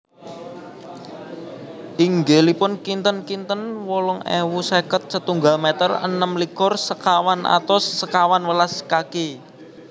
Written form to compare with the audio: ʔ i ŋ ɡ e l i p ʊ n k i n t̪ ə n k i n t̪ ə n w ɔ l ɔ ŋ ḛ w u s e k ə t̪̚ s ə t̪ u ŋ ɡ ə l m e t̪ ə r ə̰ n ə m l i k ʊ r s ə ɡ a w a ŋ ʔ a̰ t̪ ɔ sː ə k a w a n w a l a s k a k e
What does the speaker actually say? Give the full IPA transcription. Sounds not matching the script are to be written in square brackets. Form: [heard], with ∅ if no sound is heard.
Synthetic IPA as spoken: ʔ i ŋ ɡ e l i p ʊ n k i n t̪ ə n k i n t̪ ə n w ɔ l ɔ ŋ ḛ w u s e k ə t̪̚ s ə t̪ u ŋ ɡ [a] l m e t̪ ə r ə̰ n ə m l i k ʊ r s ə [k] a w a [n] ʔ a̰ t̪ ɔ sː ə k a w a n w [ə] l a s k a k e